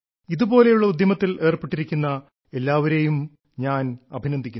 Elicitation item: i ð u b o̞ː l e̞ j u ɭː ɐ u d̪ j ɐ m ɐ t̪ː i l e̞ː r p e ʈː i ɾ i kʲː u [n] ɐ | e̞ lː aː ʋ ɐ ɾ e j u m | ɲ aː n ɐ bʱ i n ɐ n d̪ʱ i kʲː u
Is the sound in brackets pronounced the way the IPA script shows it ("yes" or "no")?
no